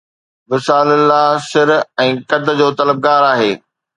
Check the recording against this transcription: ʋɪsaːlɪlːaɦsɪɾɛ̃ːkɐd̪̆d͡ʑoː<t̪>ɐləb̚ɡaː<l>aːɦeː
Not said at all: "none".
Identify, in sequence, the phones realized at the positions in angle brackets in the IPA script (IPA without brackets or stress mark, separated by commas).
t̪, ɾ